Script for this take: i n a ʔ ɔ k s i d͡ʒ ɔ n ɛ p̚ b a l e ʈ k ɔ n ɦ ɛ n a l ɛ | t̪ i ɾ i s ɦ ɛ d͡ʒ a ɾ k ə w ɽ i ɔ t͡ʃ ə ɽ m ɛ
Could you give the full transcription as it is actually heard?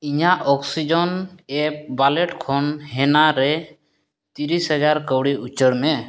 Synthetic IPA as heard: i ɲ a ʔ ɔ k s i d͡ʒ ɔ n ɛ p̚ b a l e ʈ kʰ ɔ n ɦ ɛ n a ɾ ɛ | t̪ i ɾ i s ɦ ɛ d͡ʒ a ɾ k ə w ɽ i u t͡ʃ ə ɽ m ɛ